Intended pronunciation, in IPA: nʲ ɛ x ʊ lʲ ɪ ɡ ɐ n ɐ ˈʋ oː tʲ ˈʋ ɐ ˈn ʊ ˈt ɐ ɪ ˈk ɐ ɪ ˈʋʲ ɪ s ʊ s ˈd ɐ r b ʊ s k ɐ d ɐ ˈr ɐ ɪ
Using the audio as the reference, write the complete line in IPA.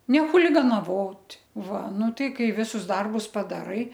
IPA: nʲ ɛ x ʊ lʲ ɪ ɡ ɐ n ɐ ˈʋ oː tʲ ˈʋ ɐ ˈn ʊ ˈt ɐ ɪ ˈk ɐ ɪ ˈʋʲ ɪ s ʊ s ˈd ɐ r b ʊ s p ɐ d ɐ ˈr ɐ ɪ